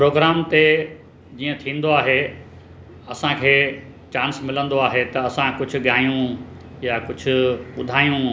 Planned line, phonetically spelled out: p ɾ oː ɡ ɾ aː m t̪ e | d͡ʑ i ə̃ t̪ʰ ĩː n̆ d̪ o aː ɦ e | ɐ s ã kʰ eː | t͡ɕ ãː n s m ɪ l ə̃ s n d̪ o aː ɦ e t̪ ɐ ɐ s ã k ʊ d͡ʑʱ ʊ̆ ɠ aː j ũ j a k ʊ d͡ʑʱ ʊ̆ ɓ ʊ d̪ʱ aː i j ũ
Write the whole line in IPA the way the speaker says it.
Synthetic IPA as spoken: p ɾ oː ɡ ɾ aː m t̪ e | d͡ʑ iː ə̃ t̪ʰ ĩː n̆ d̪ o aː ɦ e | ɐ s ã kʰ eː | t͡ɕ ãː n s m ɪ l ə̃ n d̪ o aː ɦ e t̪ ɐ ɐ s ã k ʊ d͡ʑʱ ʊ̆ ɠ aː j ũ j a k ʊ d͡ʑʱ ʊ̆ ɓ ʊ d̪ʱ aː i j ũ